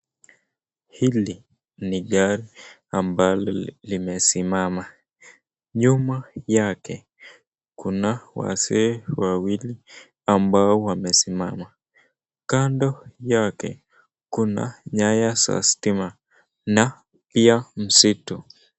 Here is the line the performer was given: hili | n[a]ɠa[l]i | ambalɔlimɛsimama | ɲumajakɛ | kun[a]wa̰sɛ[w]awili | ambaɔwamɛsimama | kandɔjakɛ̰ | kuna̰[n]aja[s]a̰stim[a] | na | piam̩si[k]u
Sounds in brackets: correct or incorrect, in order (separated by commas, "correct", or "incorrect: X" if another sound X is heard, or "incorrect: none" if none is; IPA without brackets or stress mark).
incorrect: i, incorrect: ɾ, correct, correct, incorrect: ɲ, correct, correct, incorrect: t